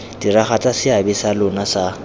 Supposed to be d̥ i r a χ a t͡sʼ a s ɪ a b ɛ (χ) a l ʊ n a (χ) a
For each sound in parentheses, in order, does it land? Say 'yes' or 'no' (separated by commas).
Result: no, no